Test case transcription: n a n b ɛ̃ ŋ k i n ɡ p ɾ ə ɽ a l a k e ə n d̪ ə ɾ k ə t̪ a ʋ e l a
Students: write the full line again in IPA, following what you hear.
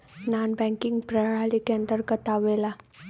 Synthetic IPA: n a n b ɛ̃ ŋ k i ŋ ɡ p ɾ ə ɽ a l i k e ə n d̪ ə ɾ k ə t̪ a ʋ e l a